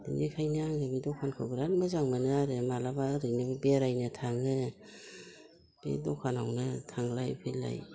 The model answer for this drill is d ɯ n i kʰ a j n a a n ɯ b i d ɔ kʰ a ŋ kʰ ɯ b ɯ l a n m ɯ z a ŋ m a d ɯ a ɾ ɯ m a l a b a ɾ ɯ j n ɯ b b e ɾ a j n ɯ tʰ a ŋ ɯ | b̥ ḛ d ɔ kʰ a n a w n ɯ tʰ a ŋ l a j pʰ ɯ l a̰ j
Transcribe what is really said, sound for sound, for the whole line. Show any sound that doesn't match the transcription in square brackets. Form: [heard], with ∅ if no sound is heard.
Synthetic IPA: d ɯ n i kʰ a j n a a [ŋ] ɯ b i d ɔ kʰ a [n] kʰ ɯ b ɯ [ɾ] a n m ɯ z a ŋ m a [n] ɯ a ɾ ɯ m a l a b a ɾ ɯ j n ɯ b b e ɾ a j n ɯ tʰ a ŋ ɯ | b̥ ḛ d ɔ kʰ a n a w n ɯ tʰ a ŋ l a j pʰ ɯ l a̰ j